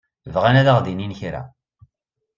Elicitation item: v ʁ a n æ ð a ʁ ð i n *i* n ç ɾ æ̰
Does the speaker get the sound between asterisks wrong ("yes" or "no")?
no